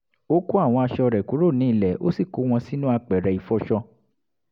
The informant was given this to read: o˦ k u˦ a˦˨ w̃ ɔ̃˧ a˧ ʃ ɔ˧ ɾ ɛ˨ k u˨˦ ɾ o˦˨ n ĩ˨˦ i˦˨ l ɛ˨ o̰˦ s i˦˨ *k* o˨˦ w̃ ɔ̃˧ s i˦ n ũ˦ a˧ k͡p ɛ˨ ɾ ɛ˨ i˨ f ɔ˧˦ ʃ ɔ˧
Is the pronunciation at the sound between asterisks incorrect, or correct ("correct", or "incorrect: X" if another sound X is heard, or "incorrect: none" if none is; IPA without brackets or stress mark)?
correct